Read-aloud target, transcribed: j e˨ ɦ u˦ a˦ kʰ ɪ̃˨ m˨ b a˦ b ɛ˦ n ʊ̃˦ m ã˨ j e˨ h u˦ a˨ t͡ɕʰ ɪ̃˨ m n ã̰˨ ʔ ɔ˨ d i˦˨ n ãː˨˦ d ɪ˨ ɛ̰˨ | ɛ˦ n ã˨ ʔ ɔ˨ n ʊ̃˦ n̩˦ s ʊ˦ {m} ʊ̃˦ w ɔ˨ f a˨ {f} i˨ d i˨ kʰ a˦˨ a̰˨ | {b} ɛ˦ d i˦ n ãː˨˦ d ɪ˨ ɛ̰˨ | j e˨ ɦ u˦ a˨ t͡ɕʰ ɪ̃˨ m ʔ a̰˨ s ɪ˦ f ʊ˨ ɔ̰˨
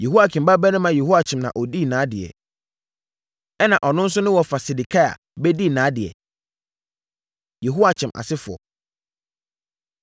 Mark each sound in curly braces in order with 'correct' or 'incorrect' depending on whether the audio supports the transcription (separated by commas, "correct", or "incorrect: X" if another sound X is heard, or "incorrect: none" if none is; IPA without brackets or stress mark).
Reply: incorrect: n, incorrect: s, correct